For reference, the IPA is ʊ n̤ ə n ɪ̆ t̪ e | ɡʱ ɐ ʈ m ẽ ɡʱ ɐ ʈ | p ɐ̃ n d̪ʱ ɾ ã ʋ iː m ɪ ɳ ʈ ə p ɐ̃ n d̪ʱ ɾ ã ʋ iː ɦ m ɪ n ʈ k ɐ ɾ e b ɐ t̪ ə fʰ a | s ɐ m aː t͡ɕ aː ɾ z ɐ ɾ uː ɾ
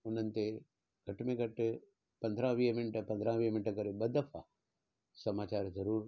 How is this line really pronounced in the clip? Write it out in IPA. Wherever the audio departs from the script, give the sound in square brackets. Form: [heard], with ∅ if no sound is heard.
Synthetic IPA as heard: ʊ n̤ ə n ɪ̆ t̪ e | ɡʱ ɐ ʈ m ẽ ɡʱ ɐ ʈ | p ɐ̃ n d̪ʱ ɾ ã ʋ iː m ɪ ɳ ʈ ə p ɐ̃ n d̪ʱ ɾ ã ʋ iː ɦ m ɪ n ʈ k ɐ ɾ e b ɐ [d̪] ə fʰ a | s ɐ m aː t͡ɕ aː ɾ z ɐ ɾ uː ɾ